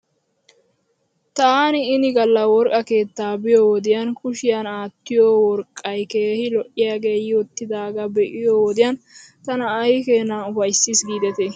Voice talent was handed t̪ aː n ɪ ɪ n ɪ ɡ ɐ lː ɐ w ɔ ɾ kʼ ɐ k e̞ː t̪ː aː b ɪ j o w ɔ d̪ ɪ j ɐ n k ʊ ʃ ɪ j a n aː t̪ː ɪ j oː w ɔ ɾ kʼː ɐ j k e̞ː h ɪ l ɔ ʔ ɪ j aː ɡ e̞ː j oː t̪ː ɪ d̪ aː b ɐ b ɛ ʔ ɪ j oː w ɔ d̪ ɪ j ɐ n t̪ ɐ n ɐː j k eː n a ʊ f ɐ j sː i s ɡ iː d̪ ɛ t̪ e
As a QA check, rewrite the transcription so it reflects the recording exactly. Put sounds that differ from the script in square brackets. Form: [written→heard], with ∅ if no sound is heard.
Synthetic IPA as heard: t̪ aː n ɪ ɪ n ɪ ɡ ɐ lː ɐ w ɔ ɾ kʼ ɐ k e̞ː t̪ː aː b ɪ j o w ɔ d̪ ɪ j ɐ n k ʊ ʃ ɪ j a n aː t̪ː ɪ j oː w ɔ ɾ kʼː ɐ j k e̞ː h ɪ l ɔ ʔ ɪ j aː ɡ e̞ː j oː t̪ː ɪ d̪ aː [b→ɡ] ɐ b ɛ ʔ ɪ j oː w ɔ d̪ ɪ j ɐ n t̪ ɐ n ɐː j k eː n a ʊ f ɐ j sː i s ɡ iː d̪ ɛ t̪ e